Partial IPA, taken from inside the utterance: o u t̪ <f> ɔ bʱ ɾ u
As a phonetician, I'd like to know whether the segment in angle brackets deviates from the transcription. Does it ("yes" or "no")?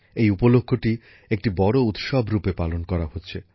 yes